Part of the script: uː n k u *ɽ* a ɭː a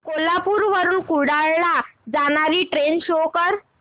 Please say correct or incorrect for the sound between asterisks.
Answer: correct